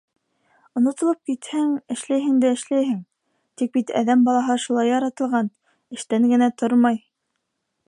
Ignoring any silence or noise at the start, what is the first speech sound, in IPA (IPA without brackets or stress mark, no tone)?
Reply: ŏ